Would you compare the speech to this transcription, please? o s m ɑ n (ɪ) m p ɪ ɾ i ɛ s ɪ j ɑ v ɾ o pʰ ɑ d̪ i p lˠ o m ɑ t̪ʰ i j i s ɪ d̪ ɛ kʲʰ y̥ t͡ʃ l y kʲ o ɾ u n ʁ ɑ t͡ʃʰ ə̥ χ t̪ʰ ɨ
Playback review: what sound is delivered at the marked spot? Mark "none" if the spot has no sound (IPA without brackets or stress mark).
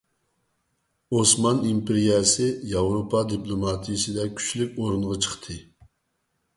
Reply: i